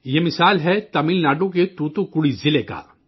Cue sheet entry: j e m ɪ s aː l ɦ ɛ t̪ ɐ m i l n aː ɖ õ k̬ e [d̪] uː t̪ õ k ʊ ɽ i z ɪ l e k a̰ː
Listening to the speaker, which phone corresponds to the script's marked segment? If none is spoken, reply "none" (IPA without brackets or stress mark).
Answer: t̪